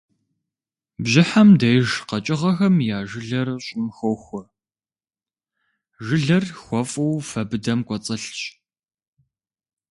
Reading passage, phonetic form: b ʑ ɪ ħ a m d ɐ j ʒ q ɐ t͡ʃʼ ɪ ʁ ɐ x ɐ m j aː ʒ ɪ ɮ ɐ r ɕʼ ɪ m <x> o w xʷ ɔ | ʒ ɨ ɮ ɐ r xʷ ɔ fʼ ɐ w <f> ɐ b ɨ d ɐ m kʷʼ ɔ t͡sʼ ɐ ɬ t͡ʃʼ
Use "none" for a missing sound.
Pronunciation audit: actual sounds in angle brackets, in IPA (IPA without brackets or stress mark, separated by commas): x, f